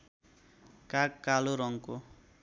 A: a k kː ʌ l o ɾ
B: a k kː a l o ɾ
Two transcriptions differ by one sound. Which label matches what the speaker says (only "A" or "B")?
B